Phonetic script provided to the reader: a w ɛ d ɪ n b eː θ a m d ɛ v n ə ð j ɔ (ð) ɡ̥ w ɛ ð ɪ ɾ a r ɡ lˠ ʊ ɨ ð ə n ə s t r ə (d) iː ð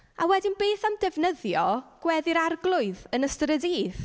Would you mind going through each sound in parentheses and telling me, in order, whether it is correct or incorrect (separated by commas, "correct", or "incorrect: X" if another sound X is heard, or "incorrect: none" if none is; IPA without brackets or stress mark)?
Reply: incorrect: none, correct